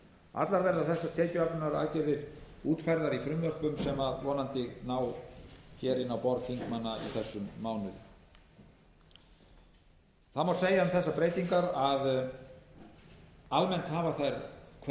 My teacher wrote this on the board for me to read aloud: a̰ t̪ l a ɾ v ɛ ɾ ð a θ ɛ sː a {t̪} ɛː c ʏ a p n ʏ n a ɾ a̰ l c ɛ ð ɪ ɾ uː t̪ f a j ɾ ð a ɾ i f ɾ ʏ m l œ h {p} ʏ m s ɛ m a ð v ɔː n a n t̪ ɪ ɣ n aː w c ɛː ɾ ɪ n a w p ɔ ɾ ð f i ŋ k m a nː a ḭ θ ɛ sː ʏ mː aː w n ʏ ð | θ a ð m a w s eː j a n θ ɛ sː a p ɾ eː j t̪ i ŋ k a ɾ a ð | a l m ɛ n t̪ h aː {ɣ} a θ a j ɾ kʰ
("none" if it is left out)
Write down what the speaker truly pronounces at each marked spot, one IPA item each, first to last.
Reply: t̪ʰ, p, v

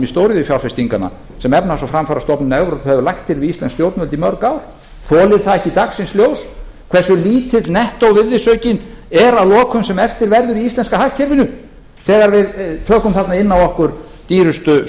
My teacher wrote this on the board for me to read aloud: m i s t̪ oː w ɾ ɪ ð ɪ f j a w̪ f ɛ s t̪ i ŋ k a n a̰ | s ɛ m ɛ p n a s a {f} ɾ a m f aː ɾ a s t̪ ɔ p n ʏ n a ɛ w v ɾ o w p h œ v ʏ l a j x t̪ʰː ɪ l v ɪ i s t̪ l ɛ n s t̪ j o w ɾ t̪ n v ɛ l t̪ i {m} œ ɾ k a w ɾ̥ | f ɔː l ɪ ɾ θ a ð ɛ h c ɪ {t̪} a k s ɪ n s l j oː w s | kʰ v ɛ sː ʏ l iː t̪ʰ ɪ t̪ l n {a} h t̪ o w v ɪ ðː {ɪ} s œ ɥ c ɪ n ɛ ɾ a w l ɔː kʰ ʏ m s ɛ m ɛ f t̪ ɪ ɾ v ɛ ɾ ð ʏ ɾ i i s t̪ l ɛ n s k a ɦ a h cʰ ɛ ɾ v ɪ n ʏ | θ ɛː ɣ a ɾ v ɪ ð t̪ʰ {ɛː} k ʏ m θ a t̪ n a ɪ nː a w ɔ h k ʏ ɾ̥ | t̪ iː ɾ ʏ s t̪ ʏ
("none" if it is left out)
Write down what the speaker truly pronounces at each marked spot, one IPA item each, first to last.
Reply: f, m, t̪, ɛ, ɪ, œː

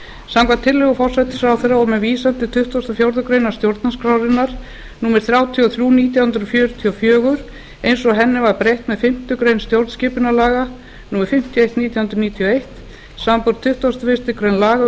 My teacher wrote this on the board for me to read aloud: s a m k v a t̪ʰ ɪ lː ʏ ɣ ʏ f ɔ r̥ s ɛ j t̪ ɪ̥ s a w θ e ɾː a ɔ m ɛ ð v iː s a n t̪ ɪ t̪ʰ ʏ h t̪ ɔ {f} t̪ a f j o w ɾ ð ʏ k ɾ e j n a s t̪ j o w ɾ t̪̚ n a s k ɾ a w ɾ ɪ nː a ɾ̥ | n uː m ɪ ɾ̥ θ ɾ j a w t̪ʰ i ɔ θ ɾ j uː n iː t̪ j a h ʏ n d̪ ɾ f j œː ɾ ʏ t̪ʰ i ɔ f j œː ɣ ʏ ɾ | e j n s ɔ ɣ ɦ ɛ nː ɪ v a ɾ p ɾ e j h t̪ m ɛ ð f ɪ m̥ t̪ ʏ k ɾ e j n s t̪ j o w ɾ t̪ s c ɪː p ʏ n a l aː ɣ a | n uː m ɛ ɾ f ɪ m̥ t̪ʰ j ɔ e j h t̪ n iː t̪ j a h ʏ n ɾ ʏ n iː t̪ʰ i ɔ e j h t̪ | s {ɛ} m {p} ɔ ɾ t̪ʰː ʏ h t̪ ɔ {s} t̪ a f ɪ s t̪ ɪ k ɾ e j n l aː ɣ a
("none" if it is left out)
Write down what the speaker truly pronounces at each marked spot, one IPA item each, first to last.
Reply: s, a, p, s

